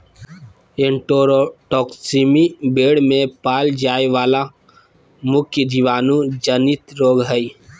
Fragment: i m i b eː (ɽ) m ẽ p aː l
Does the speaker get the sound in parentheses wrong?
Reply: no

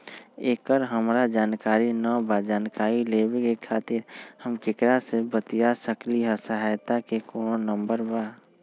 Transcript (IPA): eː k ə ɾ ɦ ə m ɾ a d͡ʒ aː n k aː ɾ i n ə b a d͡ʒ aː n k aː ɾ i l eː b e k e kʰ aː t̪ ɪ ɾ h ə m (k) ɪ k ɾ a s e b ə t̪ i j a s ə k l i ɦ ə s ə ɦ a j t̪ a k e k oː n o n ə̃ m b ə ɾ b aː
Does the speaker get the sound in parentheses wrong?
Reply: no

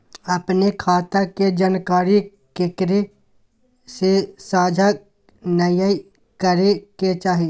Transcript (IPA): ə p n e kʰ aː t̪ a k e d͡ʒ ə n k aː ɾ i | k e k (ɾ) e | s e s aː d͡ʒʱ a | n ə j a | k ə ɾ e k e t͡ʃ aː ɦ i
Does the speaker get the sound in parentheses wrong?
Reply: no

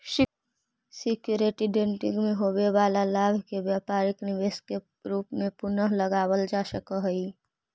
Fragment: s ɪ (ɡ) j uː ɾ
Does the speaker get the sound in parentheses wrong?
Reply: yes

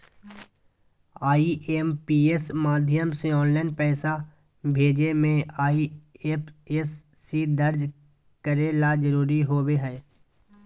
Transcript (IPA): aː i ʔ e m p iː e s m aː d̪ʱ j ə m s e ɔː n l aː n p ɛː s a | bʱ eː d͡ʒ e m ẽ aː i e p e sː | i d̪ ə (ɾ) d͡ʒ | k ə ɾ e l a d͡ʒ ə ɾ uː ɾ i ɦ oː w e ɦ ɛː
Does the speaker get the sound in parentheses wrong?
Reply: no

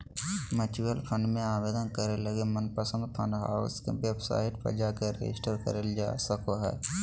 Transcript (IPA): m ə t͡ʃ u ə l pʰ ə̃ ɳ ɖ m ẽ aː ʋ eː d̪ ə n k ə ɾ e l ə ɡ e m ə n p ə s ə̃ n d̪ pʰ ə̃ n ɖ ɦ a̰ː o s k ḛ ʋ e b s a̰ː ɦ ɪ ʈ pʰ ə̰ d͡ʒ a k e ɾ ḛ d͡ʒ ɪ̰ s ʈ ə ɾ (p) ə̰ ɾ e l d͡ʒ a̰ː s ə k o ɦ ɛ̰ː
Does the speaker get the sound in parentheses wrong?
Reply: yes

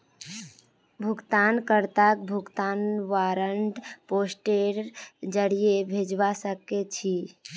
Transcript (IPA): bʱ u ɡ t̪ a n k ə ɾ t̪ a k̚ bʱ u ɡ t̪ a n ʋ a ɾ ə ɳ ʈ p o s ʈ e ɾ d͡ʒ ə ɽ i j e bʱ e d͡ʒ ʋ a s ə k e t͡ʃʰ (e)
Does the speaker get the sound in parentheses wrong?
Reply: yes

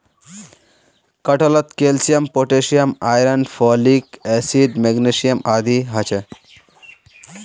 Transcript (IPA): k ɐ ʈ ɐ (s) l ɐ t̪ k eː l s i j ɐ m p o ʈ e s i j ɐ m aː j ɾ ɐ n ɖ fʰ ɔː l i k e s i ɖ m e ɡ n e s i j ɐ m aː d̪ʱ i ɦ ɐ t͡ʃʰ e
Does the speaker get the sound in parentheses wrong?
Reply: yes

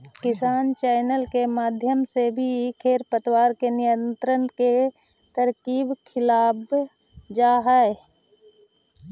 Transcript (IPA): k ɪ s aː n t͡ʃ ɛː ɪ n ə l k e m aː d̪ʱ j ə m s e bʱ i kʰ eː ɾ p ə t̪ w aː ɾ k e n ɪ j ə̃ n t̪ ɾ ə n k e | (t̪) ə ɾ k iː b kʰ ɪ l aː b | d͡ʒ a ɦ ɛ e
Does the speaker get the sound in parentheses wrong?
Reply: no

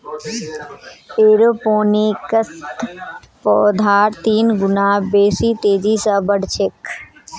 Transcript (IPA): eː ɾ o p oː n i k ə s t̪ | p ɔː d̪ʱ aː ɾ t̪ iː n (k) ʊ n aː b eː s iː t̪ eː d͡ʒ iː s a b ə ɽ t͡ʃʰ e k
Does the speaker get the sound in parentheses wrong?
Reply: yes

